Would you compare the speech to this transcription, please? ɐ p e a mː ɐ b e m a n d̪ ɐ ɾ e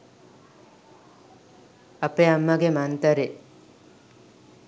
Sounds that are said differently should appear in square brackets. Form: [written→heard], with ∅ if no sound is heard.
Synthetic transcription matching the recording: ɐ p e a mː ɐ [b→ɡ] e m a n [d̪→t̪] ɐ ɾ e